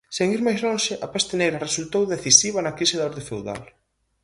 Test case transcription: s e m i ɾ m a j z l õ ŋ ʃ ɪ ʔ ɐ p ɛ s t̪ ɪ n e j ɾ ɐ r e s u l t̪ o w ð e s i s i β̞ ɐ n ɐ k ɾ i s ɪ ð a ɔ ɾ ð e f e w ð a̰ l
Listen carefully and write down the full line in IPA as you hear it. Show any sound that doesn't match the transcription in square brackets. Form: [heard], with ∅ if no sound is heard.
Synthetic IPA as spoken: s e [ŋ] i ɾ m a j z l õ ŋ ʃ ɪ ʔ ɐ p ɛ s t̪ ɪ n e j ɾ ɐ r e s u l t̪ o w ð e [θ] i s i β̞ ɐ n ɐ k ɾ i s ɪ ð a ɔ ɾ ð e f e w ð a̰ l